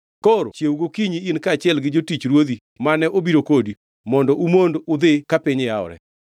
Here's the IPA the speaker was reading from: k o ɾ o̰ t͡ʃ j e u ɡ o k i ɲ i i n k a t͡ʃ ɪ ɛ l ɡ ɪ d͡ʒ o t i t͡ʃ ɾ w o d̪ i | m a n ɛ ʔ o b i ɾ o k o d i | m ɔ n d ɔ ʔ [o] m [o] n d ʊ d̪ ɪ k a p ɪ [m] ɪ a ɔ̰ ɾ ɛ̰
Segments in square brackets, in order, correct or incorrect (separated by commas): incorrect, correct, incorrect